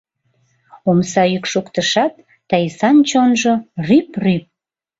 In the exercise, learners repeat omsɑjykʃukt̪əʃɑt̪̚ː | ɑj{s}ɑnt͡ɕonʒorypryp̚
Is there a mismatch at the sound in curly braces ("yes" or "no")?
no